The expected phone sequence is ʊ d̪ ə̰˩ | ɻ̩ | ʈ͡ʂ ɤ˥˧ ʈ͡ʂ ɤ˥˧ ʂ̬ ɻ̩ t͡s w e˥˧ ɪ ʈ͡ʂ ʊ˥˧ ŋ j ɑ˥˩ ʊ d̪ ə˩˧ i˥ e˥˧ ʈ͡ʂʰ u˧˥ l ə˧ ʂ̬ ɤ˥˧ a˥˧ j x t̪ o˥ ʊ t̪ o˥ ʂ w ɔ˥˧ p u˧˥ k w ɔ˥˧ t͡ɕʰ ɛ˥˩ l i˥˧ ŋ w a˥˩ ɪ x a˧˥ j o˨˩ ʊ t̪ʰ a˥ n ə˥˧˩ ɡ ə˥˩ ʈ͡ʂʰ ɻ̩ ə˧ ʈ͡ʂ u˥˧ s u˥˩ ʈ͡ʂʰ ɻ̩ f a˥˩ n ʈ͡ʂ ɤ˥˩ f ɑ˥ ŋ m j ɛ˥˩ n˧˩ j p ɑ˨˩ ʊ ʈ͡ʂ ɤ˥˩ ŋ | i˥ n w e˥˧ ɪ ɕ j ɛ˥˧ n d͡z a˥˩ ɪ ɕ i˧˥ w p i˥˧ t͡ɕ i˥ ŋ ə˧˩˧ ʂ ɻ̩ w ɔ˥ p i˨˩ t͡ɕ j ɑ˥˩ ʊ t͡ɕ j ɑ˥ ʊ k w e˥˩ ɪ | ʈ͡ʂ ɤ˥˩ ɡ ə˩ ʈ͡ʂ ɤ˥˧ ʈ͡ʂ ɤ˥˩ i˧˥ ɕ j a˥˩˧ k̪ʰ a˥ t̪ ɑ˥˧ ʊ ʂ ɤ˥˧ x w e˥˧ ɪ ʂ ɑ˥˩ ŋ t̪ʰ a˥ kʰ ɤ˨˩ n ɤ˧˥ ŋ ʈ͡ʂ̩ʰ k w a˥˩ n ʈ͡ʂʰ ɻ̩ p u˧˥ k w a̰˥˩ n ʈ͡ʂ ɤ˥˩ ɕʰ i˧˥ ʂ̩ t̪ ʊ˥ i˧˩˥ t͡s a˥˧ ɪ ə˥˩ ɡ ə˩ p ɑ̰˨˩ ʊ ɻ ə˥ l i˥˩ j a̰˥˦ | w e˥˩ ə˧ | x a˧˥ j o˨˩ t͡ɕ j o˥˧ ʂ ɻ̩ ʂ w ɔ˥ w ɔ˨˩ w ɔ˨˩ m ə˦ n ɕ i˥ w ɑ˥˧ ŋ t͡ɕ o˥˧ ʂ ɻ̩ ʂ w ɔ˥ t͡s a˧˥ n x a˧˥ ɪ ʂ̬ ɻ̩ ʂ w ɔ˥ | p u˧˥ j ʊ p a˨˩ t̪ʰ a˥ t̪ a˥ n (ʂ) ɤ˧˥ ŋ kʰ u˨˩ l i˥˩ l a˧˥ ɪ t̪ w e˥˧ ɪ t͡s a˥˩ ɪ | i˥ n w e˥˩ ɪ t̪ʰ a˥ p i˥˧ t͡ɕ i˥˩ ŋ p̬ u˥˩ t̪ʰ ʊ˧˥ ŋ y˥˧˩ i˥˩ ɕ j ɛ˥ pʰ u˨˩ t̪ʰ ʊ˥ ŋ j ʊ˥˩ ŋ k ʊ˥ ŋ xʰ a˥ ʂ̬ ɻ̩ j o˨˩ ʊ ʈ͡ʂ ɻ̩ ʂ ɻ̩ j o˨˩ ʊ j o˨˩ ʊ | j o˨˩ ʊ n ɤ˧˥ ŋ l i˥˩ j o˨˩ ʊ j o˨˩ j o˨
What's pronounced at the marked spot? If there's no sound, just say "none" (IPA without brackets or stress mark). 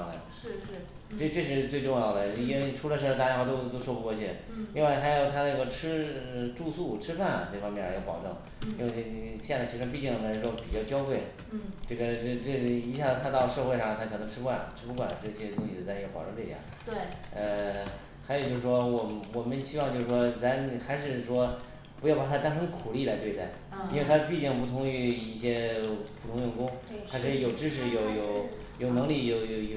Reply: ʂ